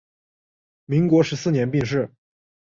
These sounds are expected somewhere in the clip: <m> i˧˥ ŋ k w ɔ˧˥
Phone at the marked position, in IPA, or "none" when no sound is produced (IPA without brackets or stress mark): m